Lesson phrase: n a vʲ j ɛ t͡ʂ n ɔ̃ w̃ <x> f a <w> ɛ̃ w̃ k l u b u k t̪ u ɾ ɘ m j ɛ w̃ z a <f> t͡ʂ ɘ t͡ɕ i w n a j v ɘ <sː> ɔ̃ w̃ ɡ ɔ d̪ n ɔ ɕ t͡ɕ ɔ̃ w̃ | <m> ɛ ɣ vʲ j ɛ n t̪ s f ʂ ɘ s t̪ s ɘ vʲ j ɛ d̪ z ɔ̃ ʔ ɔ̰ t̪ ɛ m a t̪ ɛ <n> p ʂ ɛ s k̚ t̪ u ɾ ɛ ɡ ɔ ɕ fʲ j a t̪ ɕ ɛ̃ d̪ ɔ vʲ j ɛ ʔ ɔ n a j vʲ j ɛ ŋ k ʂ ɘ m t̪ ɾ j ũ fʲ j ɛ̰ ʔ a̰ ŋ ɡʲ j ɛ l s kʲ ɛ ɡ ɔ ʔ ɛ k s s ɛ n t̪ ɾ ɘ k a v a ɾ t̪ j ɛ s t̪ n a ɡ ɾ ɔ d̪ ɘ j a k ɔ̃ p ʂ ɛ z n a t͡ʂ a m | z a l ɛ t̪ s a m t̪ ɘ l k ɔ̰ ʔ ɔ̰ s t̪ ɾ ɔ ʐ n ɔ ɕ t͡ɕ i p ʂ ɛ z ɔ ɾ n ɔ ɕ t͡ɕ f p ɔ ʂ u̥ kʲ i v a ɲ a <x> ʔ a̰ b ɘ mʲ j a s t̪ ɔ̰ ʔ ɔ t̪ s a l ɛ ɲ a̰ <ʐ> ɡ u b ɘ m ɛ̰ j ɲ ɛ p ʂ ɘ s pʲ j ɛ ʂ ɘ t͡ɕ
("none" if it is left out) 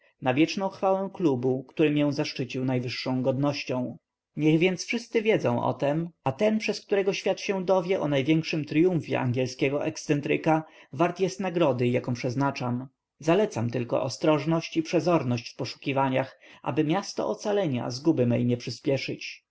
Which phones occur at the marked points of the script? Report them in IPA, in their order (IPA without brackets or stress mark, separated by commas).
x, w, ʂ, ʂː, ɲ, n, x, z